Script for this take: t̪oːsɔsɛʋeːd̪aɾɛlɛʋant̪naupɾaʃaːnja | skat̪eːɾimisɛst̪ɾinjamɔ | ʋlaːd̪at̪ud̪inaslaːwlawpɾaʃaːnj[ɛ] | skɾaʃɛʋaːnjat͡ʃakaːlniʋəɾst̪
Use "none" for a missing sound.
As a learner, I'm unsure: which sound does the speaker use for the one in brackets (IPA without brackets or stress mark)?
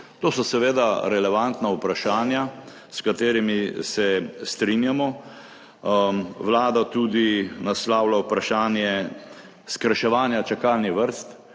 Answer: ɛ